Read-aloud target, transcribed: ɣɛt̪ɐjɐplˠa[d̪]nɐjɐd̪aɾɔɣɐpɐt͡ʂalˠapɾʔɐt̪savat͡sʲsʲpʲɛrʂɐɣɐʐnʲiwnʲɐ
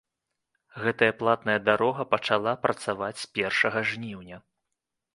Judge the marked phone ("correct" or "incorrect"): incorrect